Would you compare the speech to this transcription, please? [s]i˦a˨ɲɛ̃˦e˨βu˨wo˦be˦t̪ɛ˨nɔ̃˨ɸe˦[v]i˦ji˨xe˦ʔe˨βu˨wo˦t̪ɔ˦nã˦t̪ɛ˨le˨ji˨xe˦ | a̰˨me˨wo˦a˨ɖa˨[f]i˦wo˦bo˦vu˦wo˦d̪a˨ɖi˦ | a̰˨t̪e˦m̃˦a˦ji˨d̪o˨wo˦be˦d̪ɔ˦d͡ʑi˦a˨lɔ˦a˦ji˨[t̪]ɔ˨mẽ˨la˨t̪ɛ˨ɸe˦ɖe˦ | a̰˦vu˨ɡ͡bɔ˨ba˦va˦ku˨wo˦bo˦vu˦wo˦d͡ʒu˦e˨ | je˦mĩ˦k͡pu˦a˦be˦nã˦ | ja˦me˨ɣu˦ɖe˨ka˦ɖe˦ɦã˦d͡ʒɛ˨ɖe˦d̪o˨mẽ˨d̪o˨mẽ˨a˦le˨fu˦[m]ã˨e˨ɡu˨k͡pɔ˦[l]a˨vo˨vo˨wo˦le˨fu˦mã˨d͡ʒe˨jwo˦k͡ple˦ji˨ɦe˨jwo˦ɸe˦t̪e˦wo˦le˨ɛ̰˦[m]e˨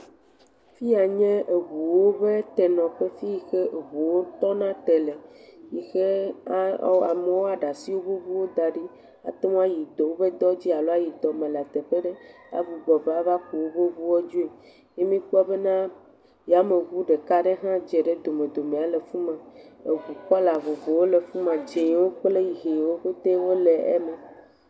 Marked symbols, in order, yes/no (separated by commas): no, no, no, no, yes, yes, yes